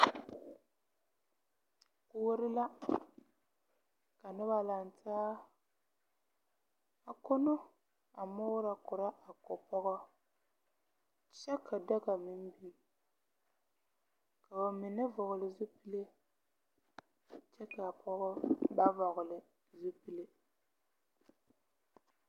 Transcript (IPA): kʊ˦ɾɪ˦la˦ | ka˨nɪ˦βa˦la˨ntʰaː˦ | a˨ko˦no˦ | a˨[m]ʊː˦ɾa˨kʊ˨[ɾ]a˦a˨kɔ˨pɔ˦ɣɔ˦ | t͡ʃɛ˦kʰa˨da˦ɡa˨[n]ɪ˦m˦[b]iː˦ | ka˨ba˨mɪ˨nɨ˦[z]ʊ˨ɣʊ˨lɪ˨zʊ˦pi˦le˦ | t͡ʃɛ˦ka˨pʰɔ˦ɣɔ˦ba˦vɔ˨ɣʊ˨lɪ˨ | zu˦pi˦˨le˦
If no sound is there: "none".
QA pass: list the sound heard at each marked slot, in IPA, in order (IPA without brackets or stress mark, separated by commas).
m, ɾ, m, b, v